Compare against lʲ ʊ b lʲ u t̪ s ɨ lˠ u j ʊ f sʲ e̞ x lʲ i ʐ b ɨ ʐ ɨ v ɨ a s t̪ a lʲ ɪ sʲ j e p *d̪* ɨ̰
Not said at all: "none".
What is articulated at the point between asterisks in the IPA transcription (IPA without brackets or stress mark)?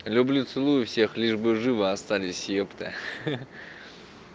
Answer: t̪